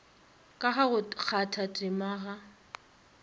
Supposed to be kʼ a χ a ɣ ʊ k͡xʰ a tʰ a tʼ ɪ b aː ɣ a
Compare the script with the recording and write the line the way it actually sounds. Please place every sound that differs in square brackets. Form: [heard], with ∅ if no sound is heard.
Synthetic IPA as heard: kʼ a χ a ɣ ʊ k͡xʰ a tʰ a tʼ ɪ [m] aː ɣ a